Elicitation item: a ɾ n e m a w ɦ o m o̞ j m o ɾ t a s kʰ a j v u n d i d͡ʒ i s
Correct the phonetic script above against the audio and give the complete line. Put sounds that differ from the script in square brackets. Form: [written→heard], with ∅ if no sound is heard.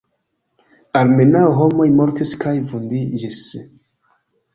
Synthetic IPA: a ɾ [n→m] e [m→n] a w ɦ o m o̞ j m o ɾ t [a→i] s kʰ a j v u n d i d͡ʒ i s